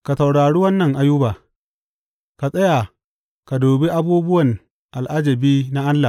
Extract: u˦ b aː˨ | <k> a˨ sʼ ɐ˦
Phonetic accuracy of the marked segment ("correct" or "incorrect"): correct